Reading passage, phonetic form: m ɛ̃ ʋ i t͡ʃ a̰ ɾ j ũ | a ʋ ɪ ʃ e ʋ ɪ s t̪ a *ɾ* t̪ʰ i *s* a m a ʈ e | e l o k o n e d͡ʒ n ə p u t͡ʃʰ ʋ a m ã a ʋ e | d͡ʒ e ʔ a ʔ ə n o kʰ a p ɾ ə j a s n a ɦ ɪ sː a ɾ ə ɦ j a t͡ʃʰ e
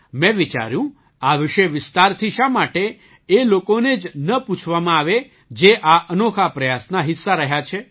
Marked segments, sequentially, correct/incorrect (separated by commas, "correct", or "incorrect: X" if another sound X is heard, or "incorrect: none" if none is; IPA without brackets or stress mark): correct, incorrect: ʃ